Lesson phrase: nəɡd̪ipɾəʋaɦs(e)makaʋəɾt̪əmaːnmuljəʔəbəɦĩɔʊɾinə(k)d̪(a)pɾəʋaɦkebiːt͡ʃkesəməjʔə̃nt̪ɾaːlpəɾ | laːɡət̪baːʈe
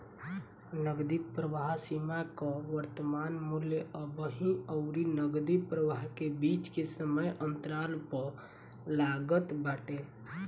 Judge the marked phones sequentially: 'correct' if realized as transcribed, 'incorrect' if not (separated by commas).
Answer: incorrect, incorrect, incorrect